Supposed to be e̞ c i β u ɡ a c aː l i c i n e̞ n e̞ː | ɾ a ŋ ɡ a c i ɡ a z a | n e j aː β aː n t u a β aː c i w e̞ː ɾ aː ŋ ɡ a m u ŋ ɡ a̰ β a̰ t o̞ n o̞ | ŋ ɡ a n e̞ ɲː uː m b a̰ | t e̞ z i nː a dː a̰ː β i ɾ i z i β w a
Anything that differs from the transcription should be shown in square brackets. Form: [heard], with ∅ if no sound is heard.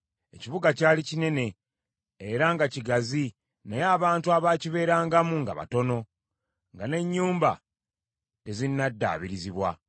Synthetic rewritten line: e̞ c i β u ɡ a c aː l i c i n e̞ n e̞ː | ɾ a ŋ ɡ a c i ɡ a z [i] | n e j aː β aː n t u a β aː c i [β] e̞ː ɾ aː ŋ ɡ a m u ŋ ɡ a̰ β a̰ t o̞ n o̞ | ŋ ɡ a n e̞ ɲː uː m b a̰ | t e̞ z i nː a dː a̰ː β i ɾ i z i β w a